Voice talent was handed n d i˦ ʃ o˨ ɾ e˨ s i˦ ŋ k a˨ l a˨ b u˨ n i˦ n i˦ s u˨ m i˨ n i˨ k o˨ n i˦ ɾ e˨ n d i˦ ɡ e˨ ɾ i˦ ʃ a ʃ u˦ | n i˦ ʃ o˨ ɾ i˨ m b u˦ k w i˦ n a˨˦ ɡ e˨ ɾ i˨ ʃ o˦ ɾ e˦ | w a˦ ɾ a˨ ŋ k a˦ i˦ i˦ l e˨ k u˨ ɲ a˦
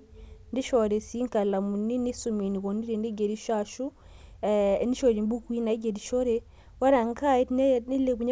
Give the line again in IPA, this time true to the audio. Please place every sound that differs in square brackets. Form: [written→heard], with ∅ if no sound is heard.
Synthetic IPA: n d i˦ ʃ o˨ ɾ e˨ s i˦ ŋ k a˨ l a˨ [b→m] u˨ n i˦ n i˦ s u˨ m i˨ n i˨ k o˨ n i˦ ɾ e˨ n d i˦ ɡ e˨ ɾ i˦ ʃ a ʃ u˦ | n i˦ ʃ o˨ ɾ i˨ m b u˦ k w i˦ n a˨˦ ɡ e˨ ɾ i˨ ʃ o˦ ɾ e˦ | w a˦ ɾ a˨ ŋ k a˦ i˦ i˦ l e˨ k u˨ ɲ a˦